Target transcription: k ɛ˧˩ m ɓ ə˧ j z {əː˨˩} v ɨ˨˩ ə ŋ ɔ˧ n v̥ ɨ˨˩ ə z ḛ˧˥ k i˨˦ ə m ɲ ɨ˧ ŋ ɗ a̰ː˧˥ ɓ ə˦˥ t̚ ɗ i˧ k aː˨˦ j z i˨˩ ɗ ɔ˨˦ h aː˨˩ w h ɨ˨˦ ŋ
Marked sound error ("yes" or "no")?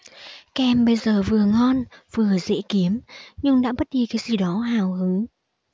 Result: no